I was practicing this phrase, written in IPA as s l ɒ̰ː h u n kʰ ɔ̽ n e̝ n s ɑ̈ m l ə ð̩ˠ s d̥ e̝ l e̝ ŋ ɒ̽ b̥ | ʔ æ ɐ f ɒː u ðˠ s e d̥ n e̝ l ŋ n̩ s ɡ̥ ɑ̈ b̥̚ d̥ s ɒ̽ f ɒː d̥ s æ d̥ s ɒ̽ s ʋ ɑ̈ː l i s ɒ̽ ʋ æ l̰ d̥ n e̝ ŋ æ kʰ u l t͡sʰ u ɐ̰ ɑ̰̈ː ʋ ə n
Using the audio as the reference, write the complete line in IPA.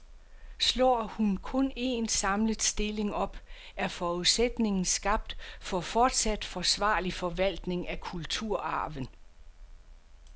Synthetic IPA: s l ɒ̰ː h u n kʰ ɔ̽ n e̝ n s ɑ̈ m l ə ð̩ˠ s d̥ e̝ l e̝ ŋ ɒ̽ b̥ | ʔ æ ɐ f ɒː u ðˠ s e d̥ n e̝ ŋ n̩ s ɡ̥ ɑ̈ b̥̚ d̥ f ɒ̽ f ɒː d̥ s æ d̥ f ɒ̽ s ʋ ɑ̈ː l i f ɒ̽ ʋ æ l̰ d̥ n e̝ ŋ æ kʰ u l t͡sʰ u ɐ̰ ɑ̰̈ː ʋ ə n

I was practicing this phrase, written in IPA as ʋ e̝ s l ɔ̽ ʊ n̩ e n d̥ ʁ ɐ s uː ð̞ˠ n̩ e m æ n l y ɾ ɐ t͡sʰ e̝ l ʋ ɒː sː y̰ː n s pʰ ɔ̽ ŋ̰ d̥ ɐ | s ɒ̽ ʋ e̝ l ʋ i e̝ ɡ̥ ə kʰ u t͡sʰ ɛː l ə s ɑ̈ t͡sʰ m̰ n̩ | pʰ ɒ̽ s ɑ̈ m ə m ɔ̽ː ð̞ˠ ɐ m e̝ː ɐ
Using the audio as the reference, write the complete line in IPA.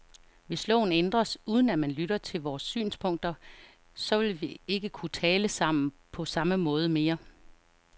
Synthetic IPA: ʋ e̝ s l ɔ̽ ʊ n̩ e n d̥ ʁ ɐ s uː ð̞ˠ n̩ æ m æ n l y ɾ ɐ t͡sʰ e̝ l ʋ ɒː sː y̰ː n s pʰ ɔ̽ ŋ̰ d̥ ɐ | s ɒ̽ ʋ e̝ l ʋ i e̝ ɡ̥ ə kʰ u t͡sʰ ɛː l ə s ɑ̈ m̰ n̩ | pʰ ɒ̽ s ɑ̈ m ə m ɔ̽ː ð̞ˠ ə m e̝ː ɐ

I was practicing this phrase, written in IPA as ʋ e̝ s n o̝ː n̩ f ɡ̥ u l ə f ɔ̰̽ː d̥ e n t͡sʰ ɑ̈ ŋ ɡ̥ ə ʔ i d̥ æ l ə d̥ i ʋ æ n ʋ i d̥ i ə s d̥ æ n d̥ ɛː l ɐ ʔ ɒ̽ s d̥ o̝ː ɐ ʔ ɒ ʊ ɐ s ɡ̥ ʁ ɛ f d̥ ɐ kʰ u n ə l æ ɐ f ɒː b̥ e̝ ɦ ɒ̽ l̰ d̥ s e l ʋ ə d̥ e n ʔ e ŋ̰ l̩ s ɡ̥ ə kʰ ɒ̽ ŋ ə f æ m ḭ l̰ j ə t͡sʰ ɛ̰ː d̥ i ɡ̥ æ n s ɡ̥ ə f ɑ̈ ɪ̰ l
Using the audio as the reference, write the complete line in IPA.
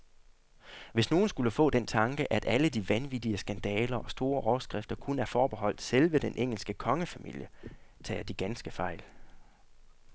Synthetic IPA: ʋ e̝ s n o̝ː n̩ s ɡ̥ u l ə f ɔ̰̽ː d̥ e n t͡sʰ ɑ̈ ŋ ɡ̥ ə ʔ æ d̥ æ l ə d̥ i ʋ æ n ʋ i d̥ i ə s ɡ̥ æ n d̥ ɛː l ɐ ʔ ɒ̽ s d̥ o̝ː ɐ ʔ ɒ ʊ ɐ s ɡ̥ ʁ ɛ f d̥ ɐ kʰ u n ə æ ɐ f ɒː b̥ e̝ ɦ ɒ̽ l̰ d̥ s e l ʋ ə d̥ e n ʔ e ŋ̰ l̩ s ɡ̥ ə kʰ ɒ̽ ŋ ə f æ m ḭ l̰ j ə t͡sʰ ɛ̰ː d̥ i ɡ̥ æ n s ɡ̥ ə f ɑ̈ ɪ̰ l

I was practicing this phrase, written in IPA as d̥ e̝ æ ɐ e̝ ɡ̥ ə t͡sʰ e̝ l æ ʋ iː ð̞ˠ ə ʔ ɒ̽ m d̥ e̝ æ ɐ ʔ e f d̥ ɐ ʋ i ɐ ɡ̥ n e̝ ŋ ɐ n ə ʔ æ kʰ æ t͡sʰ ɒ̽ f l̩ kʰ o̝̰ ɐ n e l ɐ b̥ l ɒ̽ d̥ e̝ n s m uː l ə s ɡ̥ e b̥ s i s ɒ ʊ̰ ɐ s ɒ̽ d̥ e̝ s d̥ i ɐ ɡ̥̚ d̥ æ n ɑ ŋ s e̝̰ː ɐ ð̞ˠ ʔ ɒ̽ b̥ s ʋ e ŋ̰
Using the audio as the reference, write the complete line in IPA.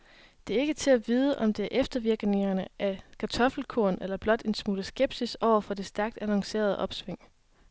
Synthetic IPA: d̥ e̝ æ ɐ e̝ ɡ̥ ə t͡sʰ e̝ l æ ʋ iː ð̞ˠ ə ʔ ɒ̽ m d̥ e̝ æ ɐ ʔ e f d̥ ɐ ʋ i ɐ ɡ̥ n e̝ ŋ ɐ n ə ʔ æ kʰ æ t͡sʰ ɒ̽ f l̩ kʰ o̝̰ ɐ n e l ɐ b̥ l ɒ̽ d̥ e̝ n s m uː l ə s ɡ̥ e b̥ s i s ɒ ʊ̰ ɐ f ɒ̽ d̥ e̝ s d̥ æ ɐ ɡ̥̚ d̥ æ n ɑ ŋ s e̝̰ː ɐ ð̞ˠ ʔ ɒ̽ b̥ s ʋ e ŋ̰

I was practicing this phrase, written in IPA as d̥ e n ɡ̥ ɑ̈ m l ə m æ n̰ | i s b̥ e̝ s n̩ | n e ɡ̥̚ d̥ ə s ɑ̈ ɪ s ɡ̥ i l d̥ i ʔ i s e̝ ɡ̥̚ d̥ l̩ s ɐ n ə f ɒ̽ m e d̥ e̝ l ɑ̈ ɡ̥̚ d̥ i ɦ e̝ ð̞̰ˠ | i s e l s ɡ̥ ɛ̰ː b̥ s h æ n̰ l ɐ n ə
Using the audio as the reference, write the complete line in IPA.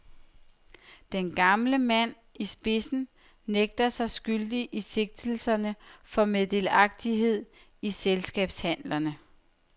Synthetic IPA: d̥ e n ɡ̥ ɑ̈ m l ə m æ n̰ | i s b̥ e̝ s n̩ | n e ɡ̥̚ d̥ ɐ s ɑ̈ ɪ s ɡ̥ y l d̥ i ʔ i s e̝ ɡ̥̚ d̥ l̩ s ɐ n ə f ɒ̽ m e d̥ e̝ l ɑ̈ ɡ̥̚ d̥ i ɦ e̝ ð̞̰ˠ | i s e l s ɡ̥ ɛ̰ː b̥ s h æ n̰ l ɐ n ə

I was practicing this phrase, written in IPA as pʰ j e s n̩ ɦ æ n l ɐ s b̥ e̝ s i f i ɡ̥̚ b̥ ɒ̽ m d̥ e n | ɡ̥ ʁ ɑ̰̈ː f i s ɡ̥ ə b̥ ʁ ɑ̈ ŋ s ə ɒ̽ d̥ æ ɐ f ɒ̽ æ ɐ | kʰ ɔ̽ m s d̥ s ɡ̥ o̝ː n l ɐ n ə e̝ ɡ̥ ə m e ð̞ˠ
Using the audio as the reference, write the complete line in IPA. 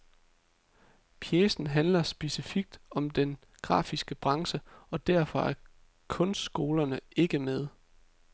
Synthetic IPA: pʰ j e s n̩ ɦ æ n l ɐ s b̥ e̝ s i f i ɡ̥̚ d̥ ɒ̽ m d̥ e n | ɡ̥ ʁ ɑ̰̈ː f i s ɡ̥ ə b̥ ʁ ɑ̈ ŋ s ə ɒ̽ d̥ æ ɐ f ɒ̽ æ ɐ | kʰ ɔ̽ n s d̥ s ɡ̥ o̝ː l ɐ n ə e̝ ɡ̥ ə m e ð̞ˠ

